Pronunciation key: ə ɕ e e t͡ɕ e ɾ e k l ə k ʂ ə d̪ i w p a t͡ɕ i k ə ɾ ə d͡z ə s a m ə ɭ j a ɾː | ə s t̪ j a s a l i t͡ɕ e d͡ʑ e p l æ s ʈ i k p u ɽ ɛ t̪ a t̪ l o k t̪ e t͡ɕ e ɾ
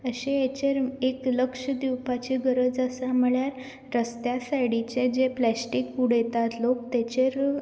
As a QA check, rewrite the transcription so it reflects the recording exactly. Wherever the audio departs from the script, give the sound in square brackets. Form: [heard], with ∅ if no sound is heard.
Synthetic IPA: ə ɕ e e t͡ɕ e ɾ e k l ə k ʂ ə d̪ i w p a t͡ɕ i [ɡ] ə ɾ ə d͡z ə s a m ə ɭ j a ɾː | ə s t̪ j a s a [ɽ] i t͡ɕ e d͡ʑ e p l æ s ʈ i k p u ɽ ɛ t̪ a t̪ l o k t̪ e t͡ɕ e ɾ